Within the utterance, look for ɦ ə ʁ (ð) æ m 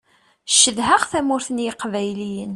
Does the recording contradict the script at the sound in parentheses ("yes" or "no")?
yes